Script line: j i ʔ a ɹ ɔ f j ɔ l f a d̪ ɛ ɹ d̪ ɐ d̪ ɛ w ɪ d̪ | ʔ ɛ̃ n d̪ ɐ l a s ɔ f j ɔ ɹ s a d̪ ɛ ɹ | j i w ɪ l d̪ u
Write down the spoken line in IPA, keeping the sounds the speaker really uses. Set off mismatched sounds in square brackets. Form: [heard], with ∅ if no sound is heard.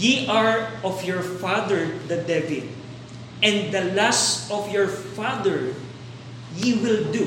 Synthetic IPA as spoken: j i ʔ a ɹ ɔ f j ɔ [ɹ] f a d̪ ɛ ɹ d̪ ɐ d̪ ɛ [v] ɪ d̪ | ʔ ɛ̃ n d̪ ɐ l a s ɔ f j ɔ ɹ [f] a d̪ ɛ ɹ | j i w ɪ l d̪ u